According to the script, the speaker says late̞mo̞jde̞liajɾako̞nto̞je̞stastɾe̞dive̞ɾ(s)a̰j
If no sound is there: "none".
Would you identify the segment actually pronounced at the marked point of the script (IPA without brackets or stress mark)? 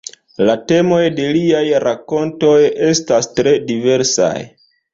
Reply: s